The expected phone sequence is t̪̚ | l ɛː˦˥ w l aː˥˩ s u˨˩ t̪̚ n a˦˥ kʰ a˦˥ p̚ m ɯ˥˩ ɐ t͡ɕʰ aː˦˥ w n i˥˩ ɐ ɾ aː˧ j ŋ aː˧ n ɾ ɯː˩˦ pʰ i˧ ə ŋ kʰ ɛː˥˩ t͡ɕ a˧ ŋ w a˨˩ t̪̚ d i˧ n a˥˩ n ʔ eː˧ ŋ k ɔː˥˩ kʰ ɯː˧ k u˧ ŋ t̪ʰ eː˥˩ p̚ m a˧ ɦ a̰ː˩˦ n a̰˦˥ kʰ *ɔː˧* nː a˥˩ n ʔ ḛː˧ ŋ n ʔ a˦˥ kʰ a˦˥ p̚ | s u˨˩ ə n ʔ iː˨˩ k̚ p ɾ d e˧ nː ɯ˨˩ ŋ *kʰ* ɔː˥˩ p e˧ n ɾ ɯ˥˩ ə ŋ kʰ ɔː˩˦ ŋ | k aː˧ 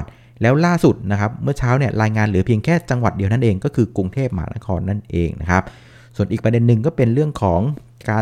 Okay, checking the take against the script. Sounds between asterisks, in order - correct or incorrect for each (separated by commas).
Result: correct, incorrect